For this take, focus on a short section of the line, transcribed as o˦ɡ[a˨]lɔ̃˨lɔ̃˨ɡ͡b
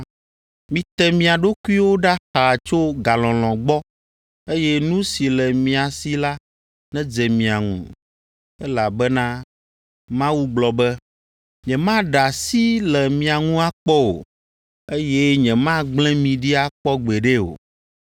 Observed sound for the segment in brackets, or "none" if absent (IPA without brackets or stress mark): a˨